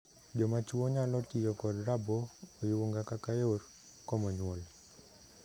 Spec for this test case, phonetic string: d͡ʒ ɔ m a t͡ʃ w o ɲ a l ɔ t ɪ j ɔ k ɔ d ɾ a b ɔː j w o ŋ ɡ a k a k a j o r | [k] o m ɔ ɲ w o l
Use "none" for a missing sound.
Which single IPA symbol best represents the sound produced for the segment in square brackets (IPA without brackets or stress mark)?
k